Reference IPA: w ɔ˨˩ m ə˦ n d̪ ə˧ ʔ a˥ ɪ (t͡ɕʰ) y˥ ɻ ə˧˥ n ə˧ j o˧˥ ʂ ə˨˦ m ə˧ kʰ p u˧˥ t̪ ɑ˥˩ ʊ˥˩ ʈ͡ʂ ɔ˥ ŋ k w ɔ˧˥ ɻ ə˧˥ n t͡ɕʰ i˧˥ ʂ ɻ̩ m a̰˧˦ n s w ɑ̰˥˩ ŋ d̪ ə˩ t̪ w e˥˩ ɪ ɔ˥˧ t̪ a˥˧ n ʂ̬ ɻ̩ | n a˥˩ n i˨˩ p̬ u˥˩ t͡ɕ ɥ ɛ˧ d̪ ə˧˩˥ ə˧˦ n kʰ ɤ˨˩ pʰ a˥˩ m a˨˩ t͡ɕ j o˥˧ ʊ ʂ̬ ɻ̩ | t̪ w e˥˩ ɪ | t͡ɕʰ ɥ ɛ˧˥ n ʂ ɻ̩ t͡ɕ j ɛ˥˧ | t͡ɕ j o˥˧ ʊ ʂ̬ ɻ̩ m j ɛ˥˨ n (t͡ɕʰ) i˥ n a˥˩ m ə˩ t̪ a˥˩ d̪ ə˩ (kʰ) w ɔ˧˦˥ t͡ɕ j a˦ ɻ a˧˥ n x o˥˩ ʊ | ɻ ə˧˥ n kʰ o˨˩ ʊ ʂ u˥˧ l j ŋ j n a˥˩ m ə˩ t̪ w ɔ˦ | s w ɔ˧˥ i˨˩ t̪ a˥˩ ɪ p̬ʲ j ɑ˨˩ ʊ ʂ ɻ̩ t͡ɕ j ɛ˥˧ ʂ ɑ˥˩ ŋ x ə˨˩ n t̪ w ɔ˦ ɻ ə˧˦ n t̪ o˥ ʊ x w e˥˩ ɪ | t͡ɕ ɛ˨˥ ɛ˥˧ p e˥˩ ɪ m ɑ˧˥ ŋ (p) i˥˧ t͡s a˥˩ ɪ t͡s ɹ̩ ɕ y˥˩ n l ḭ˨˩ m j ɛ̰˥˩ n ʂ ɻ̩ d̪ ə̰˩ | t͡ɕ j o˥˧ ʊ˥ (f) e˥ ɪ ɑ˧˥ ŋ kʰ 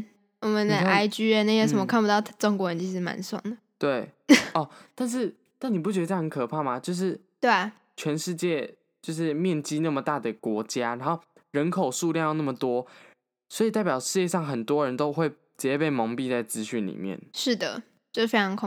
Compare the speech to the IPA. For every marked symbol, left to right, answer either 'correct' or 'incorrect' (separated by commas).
incorrect, incorrect, incorrect, correct, correct